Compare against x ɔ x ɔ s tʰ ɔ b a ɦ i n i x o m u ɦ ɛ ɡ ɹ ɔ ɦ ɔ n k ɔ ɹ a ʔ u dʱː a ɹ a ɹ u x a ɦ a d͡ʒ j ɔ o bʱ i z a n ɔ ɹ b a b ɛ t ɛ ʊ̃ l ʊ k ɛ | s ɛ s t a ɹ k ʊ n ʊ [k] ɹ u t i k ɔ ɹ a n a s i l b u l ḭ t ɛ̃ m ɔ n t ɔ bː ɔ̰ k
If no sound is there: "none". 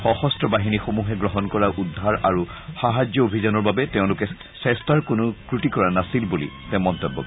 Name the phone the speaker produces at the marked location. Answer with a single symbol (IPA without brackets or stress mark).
k